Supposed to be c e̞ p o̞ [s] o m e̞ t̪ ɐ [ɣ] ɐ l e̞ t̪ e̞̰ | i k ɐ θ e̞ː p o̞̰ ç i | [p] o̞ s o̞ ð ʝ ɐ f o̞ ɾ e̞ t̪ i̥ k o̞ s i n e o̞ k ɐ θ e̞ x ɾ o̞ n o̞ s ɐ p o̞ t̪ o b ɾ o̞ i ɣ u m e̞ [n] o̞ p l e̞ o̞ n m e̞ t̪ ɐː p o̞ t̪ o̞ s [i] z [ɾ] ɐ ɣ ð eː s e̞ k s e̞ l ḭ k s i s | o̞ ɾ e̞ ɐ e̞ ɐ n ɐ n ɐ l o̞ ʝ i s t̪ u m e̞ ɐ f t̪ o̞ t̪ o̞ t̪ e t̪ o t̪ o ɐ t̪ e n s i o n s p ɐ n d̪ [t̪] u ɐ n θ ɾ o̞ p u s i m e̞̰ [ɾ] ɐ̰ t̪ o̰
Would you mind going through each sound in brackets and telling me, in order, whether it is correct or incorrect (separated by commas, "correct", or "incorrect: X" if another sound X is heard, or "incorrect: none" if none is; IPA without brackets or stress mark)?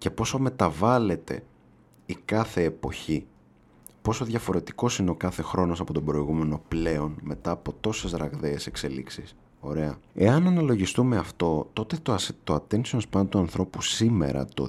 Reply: correct, incorrect: v, correct, correct, incorrect: e, correct, correct, correct